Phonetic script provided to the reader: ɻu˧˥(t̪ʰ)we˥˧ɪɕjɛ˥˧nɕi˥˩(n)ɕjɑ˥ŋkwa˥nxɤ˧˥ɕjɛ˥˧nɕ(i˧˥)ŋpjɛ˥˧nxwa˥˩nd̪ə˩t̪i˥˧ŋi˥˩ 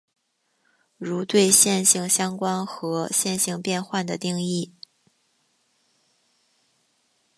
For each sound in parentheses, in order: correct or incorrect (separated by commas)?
incorrect, incorrect, incorrect